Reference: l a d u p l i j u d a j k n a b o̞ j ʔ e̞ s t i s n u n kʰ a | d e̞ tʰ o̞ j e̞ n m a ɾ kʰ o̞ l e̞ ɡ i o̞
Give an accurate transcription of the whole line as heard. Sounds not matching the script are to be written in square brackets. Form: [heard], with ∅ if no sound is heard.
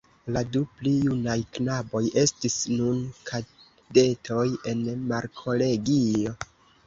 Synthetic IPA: l a d u p l i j u [n] a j k n a b o̞ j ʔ e̞ s t i s n u n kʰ a | d e̞ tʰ o̞ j e̞ n m a ɾ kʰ o̞ l e̞ ɡ i o̞